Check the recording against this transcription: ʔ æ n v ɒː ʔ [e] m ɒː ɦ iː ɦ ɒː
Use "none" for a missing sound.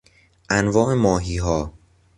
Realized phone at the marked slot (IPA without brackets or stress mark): e